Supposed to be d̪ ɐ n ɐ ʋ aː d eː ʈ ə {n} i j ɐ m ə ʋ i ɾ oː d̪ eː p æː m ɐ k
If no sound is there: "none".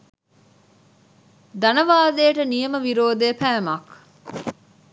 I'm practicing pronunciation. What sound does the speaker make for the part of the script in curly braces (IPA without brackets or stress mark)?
n